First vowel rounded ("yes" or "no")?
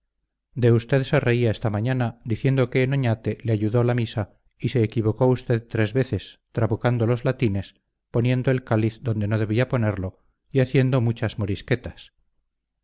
no